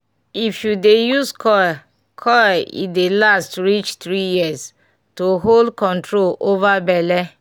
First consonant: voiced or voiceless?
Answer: voiceless